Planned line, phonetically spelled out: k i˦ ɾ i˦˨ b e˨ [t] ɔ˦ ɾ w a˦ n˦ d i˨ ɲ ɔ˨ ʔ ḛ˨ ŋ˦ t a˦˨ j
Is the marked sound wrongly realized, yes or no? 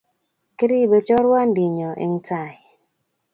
yes